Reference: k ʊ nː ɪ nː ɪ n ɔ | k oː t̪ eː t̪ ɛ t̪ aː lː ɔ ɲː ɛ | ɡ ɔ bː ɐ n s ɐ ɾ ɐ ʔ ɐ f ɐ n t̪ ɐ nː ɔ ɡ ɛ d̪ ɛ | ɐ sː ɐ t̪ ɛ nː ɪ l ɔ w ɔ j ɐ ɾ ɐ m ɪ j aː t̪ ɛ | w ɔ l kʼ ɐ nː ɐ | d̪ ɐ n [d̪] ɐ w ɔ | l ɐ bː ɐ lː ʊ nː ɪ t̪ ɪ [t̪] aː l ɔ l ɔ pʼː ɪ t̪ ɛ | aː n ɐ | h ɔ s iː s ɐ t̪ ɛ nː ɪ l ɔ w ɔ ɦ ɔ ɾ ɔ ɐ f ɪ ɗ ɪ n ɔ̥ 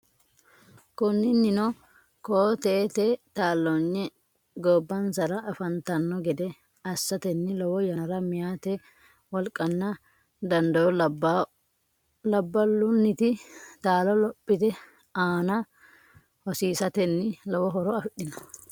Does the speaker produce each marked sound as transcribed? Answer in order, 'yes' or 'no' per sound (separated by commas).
yes, yes